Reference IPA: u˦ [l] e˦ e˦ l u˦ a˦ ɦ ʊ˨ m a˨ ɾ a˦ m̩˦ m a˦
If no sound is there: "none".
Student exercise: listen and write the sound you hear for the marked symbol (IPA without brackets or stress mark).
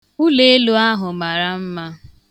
l